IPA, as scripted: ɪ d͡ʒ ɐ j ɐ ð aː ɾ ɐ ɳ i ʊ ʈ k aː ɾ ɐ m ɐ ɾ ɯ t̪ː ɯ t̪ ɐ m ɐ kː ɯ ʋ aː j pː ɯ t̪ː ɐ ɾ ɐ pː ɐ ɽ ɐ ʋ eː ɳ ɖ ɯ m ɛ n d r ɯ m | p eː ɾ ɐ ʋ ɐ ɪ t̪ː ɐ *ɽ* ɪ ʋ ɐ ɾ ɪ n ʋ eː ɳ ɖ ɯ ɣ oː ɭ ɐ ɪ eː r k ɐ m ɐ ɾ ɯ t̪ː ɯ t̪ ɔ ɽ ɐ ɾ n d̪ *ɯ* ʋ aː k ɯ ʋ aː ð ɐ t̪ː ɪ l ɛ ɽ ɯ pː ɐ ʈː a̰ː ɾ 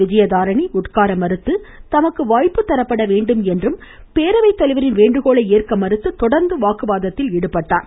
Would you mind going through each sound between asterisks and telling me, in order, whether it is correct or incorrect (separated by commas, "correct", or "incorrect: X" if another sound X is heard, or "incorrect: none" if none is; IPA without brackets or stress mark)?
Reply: incorrect: l, correct